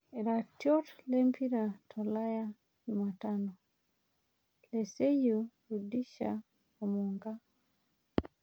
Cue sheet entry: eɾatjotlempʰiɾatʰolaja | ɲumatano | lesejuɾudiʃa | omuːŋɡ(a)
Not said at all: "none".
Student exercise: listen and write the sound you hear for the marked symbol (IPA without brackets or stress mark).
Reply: a